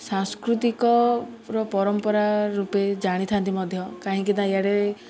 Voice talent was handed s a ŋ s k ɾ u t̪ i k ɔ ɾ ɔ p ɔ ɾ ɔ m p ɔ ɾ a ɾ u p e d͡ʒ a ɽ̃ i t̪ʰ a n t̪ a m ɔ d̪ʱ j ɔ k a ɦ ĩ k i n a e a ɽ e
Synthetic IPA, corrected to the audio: s a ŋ s k ɾ u t̪ i k ɔ ɾ ɔ p ɔ ɾ ɔ m p ɔ ɾ a ɾ u p e d͡ʒ a ɽ̃ i t̪ʰ a n t̪ i m ɔ d̪ʱ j ɔ k a ɦ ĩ k i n a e a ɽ e